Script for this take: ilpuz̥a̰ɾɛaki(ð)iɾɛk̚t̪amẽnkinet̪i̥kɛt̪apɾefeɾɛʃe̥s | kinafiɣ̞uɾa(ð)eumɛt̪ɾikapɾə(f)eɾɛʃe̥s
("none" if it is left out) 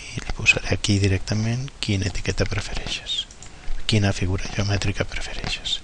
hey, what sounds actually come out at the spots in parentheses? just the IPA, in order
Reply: ð, ʒ, f

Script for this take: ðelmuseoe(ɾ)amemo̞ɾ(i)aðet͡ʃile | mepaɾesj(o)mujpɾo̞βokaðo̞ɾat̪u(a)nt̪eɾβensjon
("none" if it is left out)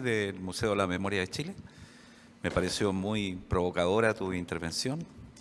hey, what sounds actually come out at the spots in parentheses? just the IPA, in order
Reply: l, j, o, i

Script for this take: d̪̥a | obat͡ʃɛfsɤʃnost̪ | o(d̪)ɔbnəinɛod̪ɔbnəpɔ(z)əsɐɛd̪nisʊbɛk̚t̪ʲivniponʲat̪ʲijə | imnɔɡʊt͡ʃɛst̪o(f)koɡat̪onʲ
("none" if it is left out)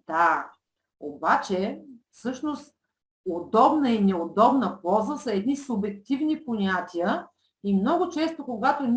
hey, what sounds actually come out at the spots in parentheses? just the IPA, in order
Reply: d̪, z, none

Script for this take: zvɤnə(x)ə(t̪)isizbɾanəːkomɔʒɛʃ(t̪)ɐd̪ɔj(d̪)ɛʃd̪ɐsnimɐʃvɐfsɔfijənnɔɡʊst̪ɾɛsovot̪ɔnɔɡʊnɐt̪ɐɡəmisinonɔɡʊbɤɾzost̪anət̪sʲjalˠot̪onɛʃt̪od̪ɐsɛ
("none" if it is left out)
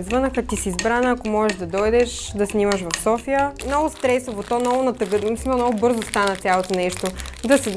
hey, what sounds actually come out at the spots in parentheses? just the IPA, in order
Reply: x, t̪, d̪, d̪

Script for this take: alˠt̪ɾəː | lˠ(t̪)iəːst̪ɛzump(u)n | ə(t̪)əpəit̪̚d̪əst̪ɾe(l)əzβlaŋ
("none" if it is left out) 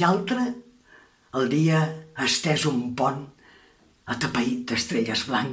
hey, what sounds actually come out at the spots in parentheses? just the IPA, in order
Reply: d̪, ɔ, t̪, ʎ

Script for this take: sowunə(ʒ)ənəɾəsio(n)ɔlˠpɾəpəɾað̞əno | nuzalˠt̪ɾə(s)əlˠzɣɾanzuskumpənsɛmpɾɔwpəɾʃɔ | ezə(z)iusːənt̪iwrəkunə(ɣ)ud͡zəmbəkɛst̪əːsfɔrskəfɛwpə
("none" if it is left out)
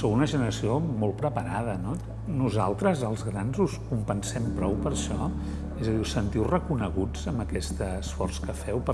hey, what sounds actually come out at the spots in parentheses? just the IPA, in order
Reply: ʒ, m, z, ð, ɣ

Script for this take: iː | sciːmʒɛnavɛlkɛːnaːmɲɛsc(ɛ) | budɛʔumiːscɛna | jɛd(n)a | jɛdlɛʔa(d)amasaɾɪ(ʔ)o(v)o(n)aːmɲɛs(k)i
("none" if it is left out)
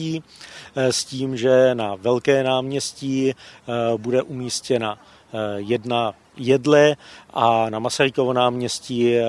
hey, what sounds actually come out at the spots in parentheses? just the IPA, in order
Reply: i, n, n, k, v, n, c

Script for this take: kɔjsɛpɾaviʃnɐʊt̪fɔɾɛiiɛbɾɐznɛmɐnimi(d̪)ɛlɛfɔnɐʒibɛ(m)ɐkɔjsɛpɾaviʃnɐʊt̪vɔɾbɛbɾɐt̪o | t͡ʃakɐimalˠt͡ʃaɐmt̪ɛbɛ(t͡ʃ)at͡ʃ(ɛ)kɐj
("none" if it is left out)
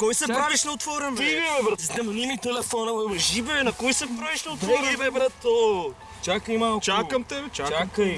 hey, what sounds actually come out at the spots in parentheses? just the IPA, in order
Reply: t̪, n, t͡ʃ, a

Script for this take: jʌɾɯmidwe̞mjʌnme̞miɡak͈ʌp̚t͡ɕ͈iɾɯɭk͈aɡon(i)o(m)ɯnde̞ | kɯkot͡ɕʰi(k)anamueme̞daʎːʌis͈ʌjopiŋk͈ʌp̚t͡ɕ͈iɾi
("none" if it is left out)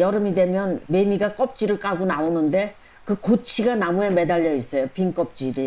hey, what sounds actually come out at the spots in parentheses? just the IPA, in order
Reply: a, n, ɡ

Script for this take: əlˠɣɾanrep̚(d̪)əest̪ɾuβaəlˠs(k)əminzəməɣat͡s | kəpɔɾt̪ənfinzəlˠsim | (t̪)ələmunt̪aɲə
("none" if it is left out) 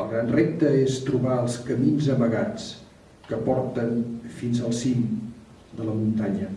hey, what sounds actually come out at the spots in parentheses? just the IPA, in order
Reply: t̪, k, d̪

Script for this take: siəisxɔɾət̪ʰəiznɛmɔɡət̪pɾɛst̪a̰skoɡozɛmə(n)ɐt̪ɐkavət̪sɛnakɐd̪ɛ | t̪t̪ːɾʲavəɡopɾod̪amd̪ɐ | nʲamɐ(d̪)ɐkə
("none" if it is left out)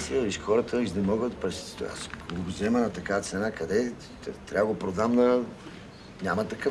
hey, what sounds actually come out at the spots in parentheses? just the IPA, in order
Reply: n, t̪

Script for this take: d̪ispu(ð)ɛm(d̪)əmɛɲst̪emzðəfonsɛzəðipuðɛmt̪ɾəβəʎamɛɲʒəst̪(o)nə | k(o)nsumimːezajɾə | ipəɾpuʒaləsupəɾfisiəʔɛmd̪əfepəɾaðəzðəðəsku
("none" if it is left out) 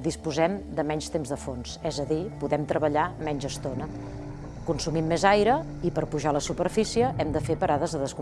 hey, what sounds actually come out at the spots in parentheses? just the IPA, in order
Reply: z, d̪, o, u

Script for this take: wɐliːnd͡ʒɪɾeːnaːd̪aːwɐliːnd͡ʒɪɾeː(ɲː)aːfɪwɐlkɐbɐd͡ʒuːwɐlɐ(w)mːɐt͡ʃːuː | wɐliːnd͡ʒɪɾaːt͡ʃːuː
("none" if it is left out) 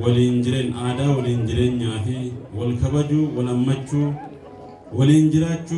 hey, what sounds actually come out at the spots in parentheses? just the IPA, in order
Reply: ɲː, none

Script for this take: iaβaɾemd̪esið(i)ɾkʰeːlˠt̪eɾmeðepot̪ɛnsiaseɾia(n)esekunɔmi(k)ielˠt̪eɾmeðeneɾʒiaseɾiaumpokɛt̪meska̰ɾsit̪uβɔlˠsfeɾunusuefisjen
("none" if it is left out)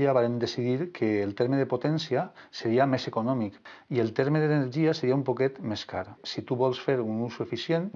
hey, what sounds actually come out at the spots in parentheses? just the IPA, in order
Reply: i, m, k

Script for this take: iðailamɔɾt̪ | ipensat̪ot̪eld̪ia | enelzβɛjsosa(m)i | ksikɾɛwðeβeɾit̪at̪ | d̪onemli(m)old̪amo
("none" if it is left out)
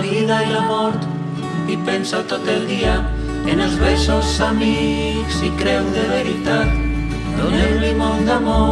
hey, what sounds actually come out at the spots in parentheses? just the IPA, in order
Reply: m, m

